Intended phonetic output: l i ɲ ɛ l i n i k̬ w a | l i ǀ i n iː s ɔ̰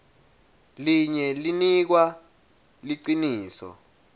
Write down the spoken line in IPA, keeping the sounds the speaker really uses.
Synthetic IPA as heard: l i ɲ ɛ l i n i k̬ w a | l i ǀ i n iː s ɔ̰